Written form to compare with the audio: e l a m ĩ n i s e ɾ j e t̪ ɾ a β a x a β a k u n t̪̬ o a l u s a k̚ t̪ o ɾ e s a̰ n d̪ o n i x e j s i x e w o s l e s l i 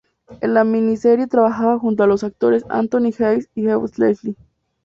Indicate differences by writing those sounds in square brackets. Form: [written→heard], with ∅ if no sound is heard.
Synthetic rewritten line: e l a m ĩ n i s e ɾ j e t̪ ɾ a β a x a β a [k→x] u n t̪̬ o a l [u→o] s a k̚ t̪ o ɾ e s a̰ n [d̪→t̪] o n i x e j s i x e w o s l e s l i